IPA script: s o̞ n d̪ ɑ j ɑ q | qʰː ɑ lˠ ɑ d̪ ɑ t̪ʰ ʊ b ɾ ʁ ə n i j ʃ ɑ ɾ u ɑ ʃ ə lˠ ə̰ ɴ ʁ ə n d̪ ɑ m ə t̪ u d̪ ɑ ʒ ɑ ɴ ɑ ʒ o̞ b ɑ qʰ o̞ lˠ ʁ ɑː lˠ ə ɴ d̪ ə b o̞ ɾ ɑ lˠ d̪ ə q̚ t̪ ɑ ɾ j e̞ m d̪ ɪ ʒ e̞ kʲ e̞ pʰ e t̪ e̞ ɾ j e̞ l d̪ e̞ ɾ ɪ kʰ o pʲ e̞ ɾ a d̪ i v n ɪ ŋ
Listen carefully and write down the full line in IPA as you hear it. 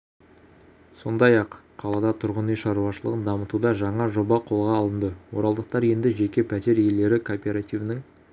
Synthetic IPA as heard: s o̞ n d̪ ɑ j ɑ q | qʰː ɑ lˠ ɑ d̪ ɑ t̪ʰ ʊ ɾ ʁ ə n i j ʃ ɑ ɾ u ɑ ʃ ə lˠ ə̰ ʁ ə n d̪ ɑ m ə t̪ u d̪ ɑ ʒ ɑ ɴ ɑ ʒ o̞ b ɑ qʰ o̞ lˠ ʁ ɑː lˠ ə n d̪ ə w o̞ ɾ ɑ lˠ d̪ ə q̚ t̪ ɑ ɾ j e̞ n d̪ ɪ ʒ e̞ kʲ e̞ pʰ æ t̪ e̞ ɾ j e̞ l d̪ e̞ ɾ ɪ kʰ o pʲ e̞ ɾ a t̪ i v n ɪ ŋ